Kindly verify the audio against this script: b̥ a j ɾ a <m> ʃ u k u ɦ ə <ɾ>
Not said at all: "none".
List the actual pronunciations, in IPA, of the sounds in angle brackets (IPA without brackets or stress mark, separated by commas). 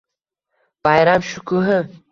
m, none